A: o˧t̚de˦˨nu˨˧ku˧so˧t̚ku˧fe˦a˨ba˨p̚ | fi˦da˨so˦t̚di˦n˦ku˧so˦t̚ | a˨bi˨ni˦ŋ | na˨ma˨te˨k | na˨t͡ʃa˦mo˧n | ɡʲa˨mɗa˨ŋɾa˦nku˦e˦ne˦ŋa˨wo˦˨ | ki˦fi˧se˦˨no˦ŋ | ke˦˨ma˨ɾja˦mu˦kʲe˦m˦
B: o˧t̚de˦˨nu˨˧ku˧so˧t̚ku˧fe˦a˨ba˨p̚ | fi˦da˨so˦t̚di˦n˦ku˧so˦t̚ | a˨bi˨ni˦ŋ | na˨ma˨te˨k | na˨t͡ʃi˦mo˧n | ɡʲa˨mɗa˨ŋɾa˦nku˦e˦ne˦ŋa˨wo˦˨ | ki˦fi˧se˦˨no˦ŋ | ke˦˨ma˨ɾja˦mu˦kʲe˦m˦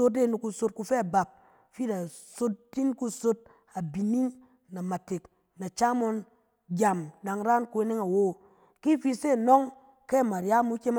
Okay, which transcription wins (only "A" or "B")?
A